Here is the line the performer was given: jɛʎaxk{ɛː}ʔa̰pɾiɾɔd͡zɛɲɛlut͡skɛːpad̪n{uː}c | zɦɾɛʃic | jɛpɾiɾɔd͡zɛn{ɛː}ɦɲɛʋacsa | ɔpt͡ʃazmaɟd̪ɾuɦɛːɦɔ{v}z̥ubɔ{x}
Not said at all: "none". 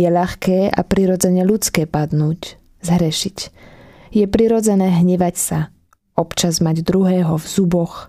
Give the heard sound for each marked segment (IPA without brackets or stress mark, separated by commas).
ɛː, uː, ɛː, v, x